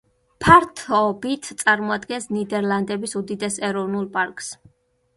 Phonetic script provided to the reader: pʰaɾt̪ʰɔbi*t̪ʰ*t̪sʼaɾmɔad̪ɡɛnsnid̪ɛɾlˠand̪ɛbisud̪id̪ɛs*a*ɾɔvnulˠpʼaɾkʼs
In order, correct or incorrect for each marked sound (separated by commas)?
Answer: correct, incorrect